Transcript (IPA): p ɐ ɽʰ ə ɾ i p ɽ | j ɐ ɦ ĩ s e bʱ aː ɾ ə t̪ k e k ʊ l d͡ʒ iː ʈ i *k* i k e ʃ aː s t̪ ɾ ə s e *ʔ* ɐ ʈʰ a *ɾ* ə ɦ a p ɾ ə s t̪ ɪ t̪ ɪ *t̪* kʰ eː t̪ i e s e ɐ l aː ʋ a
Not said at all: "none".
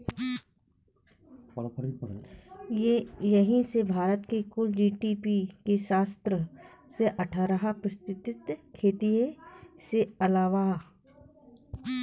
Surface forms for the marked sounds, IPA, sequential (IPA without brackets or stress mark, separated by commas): p, ʔ, ɾ, t̪